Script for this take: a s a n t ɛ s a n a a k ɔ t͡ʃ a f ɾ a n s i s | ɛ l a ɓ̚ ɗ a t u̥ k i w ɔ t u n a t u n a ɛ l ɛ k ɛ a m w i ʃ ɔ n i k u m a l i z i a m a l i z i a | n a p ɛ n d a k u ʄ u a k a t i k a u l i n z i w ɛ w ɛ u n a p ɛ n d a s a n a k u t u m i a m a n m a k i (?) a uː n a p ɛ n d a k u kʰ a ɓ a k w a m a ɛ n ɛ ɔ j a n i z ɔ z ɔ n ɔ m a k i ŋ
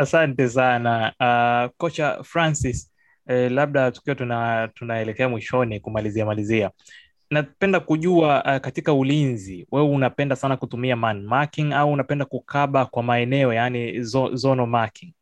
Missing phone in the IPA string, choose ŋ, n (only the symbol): ŋ